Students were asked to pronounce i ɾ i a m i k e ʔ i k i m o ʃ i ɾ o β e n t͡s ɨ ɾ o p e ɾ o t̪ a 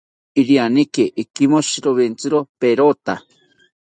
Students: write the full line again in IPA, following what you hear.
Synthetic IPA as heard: i ɾ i a n i k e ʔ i k i m o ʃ i ɾ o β e n t͡s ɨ ɾ o p e ɾ o t̪ a